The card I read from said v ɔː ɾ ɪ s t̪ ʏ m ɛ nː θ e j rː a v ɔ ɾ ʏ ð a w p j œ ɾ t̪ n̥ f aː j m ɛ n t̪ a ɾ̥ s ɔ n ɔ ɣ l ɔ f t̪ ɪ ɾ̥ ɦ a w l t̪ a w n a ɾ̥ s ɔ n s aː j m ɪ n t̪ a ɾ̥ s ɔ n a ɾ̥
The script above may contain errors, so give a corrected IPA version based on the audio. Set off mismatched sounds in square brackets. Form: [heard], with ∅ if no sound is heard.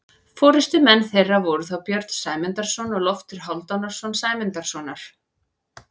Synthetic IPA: [f] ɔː ɾ ɪ s t̪ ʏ m ɛ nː θ e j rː a v ɔ ɾ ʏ [θ] a w p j œ ɾ t̪ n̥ [s] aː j m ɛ n t̪ a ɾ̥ s ɔ n ɔ ɣ l ɔ f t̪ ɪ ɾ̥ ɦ a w l t̪ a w n a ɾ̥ s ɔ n s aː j m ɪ n t̪ a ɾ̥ s ɔ n a ɾ̥